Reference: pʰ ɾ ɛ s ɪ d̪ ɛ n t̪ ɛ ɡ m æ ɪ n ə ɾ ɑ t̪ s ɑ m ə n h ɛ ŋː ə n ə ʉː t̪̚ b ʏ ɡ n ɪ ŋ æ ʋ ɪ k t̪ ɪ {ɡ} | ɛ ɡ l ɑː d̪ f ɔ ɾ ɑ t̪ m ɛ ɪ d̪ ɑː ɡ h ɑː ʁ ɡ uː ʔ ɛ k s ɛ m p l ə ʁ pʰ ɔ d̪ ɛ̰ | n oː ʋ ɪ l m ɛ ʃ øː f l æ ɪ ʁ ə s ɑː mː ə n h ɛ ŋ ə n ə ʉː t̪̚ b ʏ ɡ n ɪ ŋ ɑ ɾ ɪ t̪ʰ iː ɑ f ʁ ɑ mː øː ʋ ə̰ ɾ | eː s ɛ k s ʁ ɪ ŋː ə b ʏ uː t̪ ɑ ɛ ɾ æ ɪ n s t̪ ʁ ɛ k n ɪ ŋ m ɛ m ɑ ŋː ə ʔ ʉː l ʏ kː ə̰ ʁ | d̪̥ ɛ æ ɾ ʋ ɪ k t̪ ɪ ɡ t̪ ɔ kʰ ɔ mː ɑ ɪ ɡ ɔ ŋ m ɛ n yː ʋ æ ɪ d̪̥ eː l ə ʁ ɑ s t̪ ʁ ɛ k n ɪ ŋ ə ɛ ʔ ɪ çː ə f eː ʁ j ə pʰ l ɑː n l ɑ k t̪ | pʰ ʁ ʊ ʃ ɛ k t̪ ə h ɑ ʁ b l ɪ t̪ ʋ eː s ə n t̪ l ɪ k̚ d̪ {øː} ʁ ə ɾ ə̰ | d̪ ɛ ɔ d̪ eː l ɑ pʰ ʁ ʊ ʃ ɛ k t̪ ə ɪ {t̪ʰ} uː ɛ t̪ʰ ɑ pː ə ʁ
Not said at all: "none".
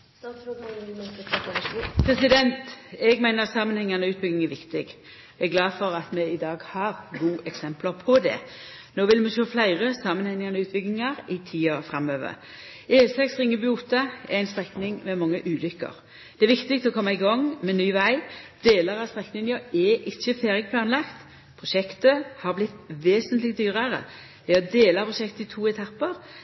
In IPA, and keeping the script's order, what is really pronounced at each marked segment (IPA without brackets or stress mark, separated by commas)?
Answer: ɡ, yː, t̪ʰ